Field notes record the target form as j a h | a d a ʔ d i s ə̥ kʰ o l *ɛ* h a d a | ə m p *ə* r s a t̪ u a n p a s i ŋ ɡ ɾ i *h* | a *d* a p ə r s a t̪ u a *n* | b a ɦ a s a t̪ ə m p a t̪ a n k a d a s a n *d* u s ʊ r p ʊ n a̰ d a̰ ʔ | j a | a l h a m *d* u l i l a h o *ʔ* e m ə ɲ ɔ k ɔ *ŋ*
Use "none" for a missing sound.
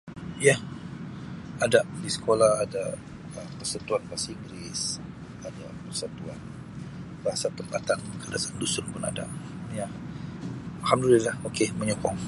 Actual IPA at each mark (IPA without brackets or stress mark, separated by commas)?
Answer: a, ə, s, d, n, d, d, k, ŋ